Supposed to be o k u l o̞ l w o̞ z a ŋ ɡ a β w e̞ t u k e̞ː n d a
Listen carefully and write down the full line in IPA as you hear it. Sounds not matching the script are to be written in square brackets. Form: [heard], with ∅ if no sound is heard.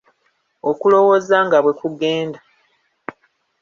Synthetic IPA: o k u l o̞ [∅] w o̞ z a ŋ ɡ a β w e̞ [k] u [ɡ] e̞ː n d a